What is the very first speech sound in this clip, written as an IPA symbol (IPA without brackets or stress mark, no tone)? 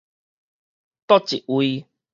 t̪